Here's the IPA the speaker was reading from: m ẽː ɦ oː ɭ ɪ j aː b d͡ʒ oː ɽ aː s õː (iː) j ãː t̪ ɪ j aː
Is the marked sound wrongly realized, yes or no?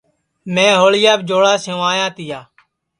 yes